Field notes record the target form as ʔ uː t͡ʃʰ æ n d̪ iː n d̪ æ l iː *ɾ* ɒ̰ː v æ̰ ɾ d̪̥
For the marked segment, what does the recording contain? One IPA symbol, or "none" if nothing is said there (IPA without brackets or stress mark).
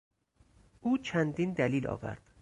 l